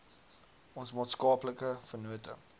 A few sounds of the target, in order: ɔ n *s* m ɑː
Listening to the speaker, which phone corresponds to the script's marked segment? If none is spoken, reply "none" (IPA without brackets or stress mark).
s